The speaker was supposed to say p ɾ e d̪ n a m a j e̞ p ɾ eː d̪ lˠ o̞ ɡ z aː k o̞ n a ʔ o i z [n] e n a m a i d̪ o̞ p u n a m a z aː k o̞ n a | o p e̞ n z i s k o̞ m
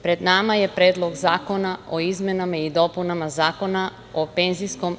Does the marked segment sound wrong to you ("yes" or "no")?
yes